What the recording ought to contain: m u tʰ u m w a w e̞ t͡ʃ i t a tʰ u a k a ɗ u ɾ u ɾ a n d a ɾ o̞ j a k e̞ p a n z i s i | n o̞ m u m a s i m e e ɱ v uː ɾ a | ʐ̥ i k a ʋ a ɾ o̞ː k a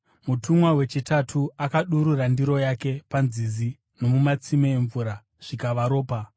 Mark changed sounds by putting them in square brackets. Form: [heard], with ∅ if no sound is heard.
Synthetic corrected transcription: m u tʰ u m w a w e̞ t͡ʃ i t a tʰ u a k a ɗ u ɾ u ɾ a n d [i] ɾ o̞ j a k e̞ p a n z i [z] i | n o̞ m u m a [t͡s] i m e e ɱ v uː ɾ a | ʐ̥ i k a ʋ a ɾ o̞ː [p] a